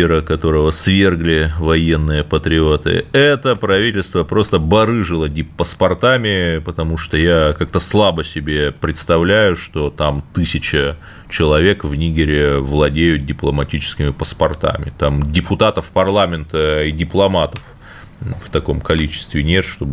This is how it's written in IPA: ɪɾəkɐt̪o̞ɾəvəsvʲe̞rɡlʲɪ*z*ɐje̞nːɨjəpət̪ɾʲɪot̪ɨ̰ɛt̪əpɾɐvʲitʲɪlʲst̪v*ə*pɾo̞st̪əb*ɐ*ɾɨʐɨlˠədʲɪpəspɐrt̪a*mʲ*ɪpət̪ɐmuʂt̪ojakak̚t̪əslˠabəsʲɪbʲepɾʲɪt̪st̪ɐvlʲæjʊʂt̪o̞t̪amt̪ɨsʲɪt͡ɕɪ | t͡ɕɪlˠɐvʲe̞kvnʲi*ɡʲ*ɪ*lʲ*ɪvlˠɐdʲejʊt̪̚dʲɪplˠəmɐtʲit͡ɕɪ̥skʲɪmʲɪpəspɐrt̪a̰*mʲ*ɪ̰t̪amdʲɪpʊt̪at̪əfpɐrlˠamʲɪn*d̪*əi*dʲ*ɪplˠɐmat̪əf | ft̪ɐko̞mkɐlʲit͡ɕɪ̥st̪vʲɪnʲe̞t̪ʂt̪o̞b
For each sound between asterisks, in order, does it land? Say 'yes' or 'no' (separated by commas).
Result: no, yes, yes, yes, yes, no, yes, no, yes